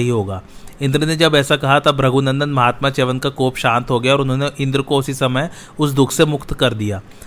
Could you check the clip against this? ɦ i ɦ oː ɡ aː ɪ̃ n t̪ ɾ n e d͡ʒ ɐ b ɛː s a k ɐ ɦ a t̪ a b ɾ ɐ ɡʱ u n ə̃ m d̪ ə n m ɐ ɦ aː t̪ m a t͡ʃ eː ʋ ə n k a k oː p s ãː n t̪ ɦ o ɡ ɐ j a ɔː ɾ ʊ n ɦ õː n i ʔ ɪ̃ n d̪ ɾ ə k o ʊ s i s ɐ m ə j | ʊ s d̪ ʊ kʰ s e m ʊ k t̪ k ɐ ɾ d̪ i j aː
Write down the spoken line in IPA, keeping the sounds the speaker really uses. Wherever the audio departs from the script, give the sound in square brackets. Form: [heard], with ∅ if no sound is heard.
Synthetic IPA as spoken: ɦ i ɦ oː ɡ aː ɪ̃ n [d̪] ɾ n e d͡ʒ ɐ b ɛː s a k ɐ ɦ a t̪ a b ɾ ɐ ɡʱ u n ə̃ [n] d̪ ə n m ɐ ɦ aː t̪ m a t͡ʃ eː ʋ ə n k a k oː p [ʃ] ãː n t̪ ɦ o ɡ ɐ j a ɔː ɾ ʊ n ɦ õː n [e] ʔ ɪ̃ n d̪ ɾ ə k o ʊ s i s ɐ m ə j | ʊ s d̪ ʊ kʰ s e m ʊ k t̪ k ɐ ɾ d̪ i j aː